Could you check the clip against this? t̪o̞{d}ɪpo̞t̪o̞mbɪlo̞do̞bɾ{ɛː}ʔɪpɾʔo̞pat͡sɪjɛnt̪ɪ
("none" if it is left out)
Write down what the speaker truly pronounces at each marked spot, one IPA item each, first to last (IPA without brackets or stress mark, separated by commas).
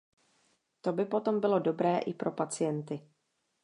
b, ɛː